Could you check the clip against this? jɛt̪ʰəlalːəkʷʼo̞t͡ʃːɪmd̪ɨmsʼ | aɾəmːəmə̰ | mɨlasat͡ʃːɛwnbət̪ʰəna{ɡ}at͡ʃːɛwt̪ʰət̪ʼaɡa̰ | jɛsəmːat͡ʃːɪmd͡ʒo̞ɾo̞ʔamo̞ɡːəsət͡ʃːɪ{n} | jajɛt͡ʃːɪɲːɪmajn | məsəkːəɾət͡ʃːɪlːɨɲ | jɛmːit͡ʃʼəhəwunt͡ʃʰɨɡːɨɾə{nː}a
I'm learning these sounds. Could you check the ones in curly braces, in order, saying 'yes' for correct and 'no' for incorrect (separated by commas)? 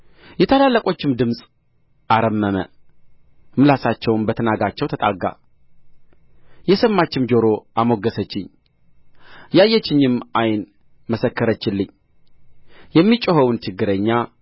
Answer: yes, no, no